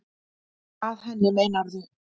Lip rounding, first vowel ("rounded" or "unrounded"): unrounded